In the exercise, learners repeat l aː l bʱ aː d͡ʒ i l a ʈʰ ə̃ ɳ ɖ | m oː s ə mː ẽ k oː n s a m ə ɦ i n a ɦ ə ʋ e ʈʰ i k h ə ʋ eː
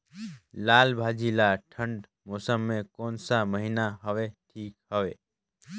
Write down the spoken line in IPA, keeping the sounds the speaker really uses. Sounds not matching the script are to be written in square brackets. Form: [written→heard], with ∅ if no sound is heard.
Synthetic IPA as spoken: l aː l bʱ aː d͡ʒ i l a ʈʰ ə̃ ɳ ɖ | m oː s ə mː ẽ k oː n s a m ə ɦ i n a ɦ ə ʋ e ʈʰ [i→iː] k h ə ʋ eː